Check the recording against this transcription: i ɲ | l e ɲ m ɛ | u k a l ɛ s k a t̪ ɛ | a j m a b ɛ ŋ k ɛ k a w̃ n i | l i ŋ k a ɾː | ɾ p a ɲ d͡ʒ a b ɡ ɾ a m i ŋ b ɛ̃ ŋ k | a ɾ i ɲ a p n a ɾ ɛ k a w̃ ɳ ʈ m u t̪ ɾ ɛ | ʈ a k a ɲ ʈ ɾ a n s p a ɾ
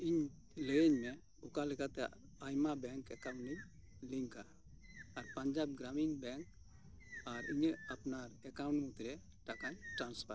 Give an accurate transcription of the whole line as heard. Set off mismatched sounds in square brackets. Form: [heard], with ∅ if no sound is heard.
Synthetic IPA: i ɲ | l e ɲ m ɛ | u k a l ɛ [∅] k a t̪ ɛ | a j m a b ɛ ŋ k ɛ k a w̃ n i | l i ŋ k a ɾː | ɾ p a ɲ d͡ʒ a b ɡ ɾ a m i ŋ b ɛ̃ ŋ k | a ɾ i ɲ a p n a ɾ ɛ k a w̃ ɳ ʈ m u t̪ ɾ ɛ | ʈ a k a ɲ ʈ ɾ a n s p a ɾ